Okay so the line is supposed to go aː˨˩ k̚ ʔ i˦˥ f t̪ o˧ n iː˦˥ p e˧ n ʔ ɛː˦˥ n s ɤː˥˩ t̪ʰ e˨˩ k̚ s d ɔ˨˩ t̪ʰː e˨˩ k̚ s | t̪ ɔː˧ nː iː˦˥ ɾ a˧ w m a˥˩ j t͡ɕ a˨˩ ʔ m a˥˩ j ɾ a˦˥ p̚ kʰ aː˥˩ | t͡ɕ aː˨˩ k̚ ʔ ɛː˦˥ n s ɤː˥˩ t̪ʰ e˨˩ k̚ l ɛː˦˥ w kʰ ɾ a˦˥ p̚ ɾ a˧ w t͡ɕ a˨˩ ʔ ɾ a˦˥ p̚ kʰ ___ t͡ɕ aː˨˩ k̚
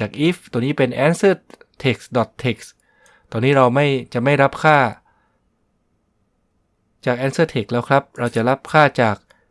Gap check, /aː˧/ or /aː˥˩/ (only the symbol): aː˥˩